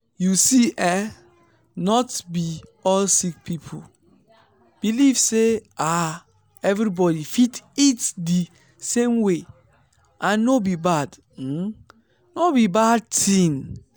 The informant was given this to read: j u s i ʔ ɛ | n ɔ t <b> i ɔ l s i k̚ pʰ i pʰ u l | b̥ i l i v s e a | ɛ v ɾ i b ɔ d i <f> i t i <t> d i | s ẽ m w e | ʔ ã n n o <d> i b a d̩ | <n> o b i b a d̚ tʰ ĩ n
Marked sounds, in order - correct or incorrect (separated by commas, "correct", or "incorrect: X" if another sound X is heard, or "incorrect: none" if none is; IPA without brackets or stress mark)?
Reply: correct, correct, correct, incorrect: b, correct